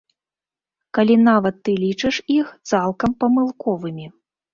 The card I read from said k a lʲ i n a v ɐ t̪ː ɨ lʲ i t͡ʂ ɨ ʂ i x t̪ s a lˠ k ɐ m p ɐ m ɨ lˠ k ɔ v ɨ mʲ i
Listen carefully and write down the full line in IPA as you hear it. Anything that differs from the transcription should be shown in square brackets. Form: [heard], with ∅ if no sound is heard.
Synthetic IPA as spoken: k a lʲ i n a v ɐ t̪ː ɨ lʲ i t͡ʂ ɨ ʂ i x t̪ s a lˠ k ɐ m p ɐ m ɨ lˠ k ɔ v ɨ mʲ i